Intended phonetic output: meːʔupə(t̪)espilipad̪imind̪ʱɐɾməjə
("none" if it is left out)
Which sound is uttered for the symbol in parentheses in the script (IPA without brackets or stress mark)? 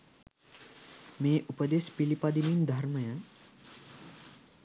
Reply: d̪